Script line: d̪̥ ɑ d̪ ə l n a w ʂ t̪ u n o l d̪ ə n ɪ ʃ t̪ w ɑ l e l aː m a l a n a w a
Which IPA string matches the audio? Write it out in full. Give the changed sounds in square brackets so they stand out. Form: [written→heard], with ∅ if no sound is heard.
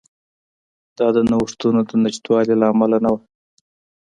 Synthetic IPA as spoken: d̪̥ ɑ d̪ ə [l→∅] n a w ʂ t̪ u n o [l→∅] d̪ ə n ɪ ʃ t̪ w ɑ l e l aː m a l a n a w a